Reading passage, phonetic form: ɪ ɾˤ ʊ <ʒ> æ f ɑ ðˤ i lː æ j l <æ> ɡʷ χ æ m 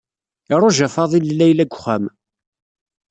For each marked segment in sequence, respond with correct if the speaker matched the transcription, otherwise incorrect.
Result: correct, correct

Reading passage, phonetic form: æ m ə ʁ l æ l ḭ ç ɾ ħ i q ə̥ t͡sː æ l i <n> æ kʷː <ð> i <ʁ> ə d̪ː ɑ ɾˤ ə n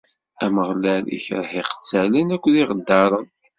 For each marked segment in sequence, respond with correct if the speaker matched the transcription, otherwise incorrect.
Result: correct, correct, correct

